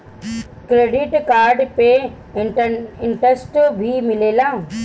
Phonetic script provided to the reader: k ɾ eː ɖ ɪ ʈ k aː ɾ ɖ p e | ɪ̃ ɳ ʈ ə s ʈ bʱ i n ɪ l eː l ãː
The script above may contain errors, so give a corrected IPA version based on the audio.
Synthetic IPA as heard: k ɾ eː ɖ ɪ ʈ k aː ɾ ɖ p e | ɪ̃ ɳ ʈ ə s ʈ bʱ i m ɪ l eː l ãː